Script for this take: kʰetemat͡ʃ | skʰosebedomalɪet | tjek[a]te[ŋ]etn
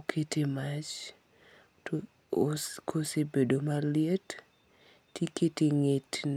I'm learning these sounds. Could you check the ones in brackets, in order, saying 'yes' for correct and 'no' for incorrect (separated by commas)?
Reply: no, yes